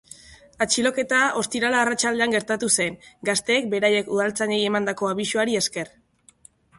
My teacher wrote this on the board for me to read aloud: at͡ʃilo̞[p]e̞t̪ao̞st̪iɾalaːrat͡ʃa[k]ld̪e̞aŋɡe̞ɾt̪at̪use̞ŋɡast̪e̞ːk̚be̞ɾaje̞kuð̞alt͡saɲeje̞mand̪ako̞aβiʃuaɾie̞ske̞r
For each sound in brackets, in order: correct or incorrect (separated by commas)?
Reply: incorrect, incorrect